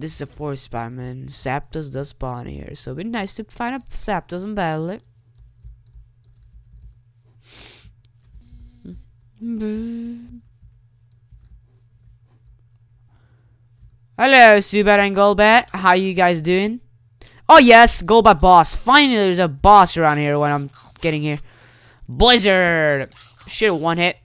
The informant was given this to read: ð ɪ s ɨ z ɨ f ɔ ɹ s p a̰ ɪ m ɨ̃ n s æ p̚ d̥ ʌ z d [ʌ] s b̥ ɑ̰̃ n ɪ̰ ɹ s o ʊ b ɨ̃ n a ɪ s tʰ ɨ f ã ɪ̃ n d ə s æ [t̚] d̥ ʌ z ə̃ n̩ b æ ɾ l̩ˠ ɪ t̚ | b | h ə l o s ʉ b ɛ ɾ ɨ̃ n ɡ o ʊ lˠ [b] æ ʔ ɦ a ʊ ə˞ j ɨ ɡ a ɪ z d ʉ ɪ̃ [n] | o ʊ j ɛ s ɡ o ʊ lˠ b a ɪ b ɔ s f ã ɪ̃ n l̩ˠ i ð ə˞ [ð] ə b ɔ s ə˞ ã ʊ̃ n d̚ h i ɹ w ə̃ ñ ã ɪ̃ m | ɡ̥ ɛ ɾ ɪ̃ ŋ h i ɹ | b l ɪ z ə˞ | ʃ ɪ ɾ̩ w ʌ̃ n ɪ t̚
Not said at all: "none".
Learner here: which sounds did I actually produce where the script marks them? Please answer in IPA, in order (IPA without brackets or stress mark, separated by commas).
ʌ, p̚, b, ŋ, z